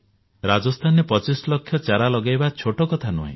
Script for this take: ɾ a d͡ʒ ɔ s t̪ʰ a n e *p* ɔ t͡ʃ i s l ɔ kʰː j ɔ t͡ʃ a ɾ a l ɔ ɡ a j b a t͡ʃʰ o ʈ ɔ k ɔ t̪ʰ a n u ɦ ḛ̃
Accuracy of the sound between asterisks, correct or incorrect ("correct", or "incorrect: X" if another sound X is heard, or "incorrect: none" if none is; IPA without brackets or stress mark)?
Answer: correct